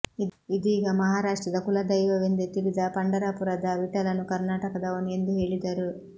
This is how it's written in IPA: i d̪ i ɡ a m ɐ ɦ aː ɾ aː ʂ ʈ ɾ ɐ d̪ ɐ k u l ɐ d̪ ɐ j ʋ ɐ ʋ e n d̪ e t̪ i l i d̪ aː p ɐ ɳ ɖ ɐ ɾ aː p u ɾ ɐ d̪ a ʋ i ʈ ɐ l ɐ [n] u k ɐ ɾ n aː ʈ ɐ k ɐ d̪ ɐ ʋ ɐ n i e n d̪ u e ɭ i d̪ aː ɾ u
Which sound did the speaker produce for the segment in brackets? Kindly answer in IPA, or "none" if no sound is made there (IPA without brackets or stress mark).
n